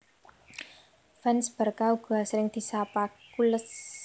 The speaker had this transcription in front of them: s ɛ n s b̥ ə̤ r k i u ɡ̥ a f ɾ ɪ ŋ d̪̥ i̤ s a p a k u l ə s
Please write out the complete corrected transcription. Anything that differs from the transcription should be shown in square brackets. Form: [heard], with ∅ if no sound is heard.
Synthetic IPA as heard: [f] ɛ n s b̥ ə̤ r k [a] u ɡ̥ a [s] ɾ ɪ ŋ d̪̥ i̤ s a p a k u l ə s